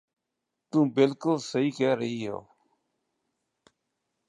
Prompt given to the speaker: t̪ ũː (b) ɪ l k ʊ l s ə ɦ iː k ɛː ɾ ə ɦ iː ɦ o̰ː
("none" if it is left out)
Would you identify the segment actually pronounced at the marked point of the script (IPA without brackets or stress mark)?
b